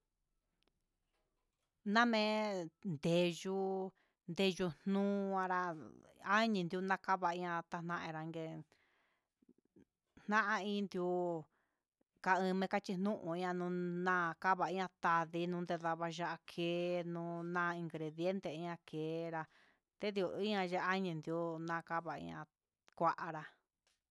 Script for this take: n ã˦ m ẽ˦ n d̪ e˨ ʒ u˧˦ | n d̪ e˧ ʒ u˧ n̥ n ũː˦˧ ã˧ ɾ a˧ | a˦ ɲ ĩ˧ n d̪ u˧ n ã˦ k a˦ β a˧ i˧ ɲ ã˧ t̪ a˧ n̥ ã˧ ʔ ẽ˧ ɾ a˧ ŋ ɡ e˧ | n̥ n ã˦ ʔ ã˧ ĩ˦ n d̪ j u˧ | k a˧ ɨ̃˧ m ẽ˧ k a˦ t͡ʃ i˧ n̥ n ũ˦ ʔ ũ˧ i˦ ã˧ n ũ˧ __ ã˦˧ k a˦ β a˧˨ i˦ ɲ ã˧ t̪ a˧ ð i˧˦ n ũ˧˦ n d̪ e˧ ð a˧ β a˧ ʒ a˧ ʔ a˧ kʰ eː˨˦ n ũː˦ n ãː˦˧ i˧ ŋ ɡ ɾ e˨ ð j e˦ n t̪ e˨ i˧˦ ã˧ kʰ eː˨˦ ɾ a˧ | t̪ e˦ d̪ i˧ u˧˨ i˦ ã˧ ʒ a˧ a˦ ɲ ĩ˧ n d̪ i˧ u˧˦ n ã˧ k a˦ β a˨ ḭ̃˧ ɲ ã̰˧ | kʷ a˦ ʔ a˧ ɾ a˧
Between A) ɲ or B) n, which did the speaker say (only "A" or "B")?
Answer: B